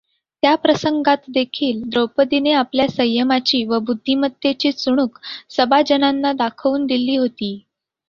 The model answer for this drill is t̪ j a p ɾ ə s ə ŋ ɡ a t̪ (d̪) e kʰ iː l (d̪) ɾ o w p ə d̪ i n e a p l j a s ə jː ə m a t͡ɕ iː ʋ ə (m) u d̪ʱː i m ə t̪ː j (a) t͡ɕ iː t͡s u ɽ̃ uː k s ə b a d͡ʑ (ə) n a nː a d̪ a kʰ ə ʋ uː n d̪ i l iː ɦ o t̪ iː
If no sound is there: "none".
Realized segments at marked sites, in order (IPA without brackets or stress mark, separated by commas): d̪, d̪, b, e, ə